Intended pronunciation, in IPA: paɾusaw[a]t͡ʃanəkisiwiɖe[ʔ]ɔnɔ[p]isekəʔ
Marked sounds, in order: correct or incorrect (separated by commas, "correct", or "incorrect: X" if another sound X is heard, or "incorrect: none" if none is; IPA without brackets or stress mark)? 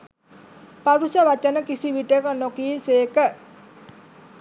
correct, incorrect: k, incorrect: k